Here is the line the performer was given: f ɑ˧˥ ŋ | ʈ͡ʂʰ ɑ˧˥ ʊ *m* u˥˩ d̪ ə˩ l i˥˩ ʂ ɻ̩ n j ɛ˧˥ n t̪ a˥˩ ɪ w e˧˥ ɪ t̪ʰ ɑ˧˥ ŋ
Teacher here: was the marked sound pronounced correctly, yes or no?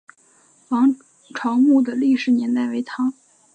yes